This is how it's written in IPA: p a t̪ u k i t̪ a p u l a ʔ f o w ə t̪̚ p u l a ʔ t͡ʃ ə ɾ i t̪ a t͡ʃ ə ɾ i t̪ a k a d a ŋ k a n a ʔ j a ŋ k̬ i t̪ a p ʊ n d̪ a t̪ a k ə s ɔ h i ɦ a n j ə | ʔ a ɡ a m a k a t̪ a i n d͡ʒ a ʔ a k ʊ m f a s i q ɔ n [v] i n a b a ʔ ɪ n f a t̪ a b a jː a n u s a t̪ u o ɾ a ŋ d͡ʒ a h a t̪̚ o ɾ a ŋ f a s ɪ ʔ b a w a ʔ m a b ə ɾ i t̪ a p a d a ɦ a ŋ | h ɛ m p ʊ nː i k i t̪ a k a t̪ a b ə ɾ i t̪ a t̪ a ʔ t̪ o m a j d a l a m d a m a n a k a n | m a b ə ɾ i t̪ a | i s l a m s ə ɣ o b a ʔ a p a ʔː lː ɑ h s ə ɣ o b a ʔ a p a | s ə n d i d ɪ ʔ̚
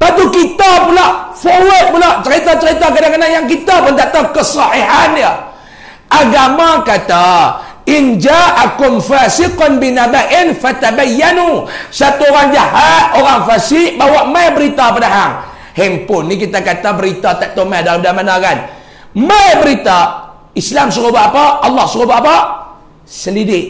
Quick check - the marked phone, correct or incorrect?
incorrect